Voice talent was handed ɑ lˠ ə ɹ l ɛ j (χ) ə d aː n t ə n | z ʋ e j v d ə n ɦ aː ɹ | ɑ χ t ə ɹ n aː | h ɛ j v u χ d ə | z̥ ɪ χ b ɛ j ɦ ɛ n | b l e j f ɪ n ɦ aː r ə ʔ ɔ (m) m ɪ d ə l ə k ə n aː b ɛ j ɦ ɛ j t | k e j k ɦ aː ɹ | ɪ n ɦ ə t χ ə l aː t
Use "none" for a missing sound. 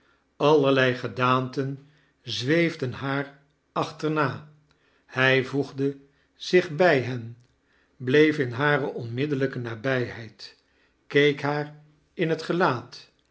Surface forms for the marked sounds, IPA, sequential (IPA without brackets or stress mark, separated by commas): χ, n